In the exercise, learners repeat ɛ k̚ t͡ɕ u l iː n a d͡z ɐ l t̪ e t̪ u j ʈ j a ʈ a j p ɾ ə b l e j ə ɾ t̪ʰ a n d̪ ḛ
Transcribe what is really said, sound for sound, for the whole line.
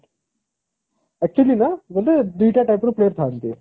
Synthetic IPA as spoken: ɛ k̚ t͡ɕ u l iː n a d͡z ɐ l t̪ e d̪ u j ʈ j a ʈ a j p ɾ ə p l e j ə ɾ t̪ʰ a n t̪ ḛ